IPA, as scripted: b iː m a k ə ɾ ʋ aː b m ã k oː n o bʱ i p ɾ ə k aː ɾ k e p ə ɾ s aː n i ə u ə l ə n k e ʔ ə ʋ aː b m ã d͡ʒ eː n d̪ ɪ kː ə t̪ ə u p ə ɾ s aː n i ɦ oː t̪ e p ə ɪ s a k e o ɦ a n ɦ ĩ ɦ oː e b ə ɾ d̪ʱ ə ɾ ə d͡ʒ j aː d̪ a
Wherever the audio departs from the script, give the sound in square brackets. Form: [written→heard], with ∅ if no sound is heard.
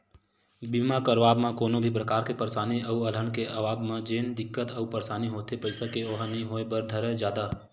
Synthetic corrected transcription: b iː m a k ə ɾ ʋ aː b m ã k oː n o bʱ i p ɾ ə k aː ɾ k e p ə ɾ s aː n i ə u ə l ə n k e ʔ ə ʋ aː b m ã d͡ʒ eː n d̪ ɪ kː ə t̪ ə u p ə ɾ s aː n i ɦ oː t̪ e p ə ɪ s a k e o ɦ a n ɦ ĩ ɦ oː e b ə ɾ d̪ʱ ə ɾ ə d͡ʒ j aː d̪ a